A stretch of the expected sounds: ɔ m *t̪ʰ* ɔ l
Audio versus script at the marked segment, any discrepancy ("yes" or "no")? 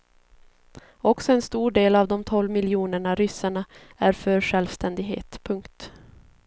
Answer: no